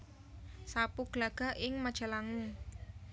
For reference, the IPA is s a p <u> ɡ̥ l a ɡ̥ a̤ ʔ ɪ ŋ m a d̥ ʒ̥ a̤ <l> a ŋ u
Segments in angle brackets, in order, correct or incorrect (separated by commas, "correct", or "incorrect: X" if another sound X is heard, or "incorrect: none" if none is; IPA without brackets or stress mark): correct, correct